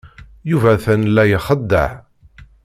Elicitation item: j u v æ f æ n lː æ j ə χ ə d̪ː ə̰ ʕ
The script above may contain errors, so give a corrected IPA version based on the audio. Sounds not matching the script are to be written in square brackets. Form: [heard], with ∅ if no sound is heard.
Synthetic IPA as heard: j u v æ [θ] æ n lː æ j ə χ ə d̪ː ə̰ ʕ